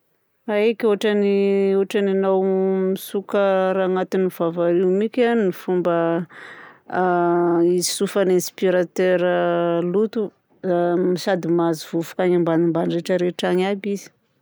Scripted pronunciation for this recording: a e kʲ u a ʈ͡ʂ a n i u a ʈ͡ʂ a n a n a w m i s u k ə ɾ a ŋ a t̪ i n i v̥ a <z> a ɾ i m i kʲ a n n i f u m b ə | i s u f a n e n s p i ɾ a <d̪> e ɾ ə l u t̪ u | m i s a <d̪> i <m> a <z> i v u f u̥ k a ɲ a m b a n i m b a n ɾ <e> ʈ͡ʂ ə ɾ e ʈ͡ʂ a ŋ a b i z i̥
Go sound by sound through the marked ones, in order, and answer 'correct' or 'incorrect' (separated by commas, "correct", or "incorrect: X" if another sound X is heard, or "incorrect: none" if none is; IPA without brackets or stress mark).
incorrect: v, incorrect: t̪, correct, correct, correct, correct